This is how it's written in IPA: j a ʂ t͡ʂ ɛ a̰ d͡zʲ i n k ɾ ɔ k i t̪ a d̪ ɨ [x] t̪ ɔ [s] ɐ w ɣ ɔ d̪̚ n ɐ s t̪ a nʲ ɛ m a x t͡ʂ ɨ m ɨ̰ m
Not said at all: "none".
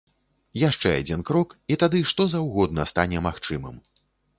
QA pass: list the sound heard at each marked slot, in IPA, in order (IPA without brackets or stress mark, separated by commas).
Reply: ʂ, z